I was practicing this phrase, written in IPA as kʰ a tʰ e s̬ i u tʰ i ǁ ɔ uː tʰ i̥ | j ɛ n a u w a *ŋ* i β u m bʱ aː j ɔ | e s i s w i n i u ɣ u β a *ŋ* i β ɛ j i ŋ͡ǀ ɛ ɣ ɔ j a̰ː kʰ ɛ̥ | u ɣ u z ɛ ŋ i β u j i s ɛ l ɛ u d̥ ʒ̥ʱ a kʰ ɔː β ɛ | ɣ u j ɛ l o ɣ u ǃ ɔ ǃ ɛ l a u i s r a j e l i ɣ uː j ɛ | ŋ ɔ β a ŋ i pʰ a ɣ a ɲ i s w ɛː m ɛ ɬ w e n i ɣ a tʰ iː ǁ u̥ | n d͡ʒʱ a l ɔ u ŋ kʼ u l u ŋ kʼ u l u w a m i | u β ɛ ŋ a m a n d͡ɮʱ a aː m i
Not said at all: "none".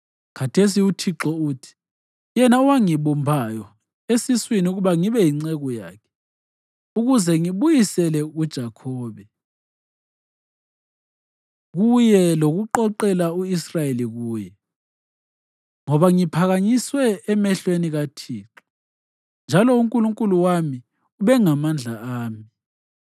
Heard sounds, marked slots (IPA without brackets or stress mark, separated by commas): ŋ, ŋ